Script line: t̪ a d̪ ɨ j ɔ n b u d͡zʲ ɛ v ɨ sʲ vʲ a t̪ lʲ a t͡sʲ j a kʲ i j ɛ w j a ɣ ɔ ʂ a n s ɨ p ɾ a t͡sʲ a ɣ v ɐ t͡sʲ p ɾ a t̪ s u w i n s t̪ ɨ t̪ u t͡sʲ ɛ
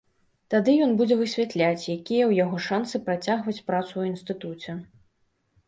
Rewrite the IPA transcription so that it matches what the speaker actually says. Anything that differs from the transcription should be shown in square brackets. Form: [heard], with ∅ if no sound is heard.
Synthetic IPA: t̪ a d̪ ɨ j ɔ n b u d͡zʲ ɛ v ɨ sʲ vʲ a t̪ lʲ a t͡sʲ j a kʲ i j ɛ w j a ɣ ɔ ʂ a n s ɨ p ɾ a t͡sʲ a ɣ v ɐ t͡sʲ p ɾ a t̪ s u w i n s t̪ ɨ t̪ u t͡sʲ ɛ